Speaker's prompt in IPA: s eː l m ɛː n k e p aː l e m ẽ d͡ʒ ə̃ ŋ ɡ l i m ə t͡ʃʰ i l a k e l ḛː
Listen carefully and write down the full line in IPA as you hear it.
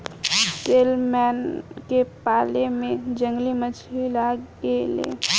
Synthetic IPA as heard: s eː l m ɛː n k e p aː l e m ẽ d͡ʒ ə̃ ŋ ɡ l i m ə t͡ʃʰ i l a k e l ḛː